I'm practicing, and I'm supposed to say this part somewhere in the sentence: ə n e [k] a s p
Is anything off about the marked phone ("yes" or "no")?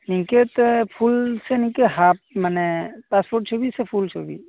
yes